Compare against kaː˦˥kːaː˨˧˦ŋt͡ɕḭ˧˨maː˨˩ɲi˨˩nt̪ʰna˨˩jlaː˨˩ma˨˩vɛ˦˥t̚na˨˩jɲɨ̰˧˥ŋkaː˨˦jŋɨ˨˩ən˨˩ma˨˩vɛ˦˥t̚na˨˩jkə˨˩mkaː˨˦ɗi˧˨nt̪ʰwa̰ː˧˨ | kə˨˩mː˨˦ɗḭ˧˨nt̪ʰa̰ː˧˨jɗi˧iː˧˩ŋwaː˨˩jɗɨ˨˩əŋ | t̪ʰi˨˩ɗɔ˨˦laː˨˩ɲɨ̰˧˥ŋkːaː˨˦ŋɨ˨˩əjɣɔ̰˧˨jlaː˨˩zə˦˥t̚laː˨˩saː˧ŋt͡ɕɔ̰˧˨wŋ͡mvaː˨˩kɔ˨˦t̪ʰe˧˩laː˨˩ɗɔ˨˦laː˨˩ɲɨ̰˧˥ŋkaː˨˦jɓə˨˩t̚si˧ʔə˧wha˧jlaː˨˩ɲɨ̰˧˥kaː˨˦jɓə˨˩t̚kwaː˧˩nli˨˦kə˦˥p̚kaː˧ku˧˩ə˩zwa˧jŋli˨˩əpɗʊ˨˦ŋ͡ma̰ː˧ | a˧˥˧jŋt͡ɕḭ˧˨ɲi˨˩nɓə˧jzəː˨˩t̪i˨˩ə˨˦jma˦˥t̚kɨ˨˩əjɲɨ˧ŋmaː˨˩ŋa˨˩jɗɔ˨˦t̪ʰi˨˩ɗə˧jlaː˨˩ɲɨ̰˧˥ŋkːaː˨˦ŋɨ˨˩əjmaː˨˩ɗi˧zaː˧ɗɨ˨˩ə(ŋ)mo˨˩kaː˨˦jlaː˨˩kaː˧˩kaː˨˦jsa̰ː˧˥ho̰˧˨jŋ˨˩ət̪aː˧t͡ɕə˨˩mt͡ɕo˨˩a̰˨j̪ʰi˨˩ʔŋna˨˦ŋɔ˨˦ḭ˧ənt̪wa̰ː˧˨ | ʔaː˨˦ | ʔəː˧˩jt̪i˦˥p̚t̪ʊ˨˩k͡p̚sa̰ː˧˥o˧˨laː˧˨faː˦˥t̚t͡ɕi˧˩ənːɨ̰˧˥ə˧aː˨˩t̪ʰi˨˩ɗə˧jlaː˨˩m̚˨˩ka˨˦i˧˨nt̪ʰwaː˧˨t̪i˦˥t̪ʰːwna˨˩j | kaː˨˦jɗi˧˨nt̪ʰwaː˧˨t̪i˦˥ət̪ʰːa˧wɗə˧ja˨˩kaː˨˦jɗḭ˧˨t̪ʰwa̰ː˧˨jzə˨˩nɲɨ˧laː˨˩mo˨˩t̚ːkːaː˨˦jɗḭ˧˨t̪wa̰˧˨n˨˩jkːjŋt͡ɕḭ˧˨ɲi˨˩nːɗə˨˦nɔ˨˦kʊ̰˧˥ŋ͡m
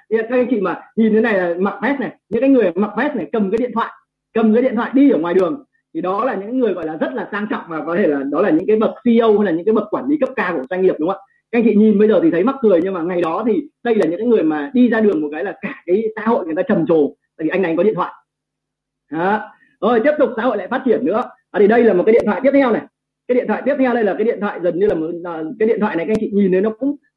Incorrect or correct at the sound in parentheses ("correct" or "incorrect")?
correct